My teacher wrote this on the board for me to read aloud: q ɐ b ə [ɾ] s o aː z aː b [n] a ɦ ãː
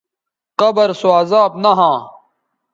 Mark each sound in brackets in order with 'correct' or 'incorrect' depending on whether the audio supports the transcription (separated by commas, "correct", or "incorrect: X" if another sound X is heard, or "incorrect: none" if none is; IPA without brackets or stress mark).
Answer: correct, correct